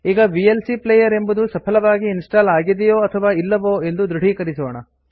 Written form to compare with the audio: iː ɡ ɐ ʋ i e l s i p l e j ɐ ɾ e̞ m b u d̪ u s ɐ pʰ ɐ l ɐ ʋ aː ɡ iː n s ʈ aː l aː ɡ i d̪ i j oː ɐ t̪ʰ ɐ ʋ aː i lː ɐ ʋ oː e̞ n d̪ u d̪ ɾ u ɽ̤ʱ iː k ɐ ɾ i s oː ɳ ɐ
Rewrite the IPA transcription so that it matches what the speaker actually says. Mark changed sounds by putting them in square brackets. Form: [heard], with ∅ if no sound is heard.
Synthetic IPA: iː ɡ ɐ ʋ i e l s i p l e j ɐ ɾ e̞ m b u d̪ u s ɐ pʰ ɐ l ɐ ʋ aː ɡ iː n s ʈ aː l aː ɡ i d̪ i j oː ɐ t̪ʰ ɐ ʋ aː i lː ɐ ʋ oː e̞ n d̪ u d̪ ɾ u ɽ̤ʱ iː k ɐ ɾ i s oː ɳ ɐ